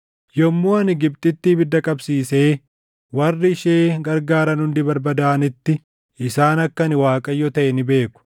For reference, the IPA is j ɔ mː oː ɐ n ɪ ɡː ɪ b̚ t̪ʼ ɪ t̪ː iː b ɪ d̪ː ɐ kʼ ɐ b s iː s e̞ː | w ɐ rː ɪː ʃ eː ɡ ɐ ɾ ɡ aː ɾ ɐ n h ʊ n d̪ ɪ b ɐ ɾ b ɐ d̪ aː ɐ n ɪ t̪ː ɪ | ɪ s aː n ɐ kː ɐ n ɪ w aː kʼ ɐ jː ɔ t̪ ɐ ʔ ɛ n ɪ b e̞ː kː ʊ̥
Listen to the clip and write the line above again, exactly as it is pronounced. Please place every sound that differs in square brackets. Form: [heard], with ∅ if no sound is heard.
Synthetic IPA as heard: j ɔ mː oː ɐ n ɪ [ɡ] ɪ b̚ t̪ʼ ɪ t̪ː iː b ɪ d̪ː ɐ kʼ ɐ b s iː s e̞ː | w ɐ rː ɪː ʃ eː ɡ ɐ ɾ ɡ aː ɾ ɐ n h ʊ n d̪ ɪ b ɐ ɾ b ɐ d̪ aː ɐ n ɪ t̪ː ɪ | ɪ s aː n ɐ kː ɐ n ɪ w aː kʼ ɐ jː ɔ t̪ ɐ ʔ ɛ n ɪ b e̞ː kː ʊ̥